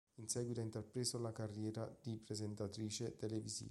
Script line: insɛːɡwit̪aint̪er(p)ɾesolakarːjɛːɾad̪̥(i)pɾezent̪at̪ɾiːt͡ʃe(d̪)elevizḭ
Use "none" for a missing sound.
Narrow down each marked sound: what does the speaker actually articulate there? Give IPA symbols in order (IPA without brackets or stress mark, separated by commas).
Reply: p, i, t̪